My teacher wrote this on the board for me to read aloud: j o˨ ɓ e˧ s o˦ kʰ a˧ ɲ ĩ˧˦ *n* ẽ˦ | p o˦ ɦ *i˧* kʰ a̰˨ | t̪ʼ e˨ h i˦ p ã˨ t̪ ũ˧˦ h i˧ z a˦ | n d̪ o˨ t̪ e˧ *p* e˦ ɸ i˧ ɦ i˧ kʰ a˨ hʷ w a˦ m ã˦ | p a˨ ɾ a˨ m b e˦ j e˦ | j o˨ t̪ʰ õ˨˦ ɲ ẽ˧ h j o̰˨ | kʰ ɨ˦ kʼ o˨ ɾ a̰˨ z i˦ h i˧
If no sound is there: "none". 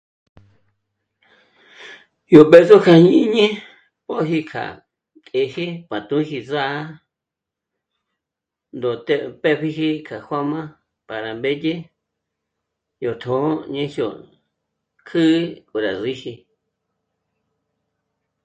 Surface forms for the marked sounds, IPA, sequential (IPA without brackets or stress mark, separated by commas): ɲ, i˧, p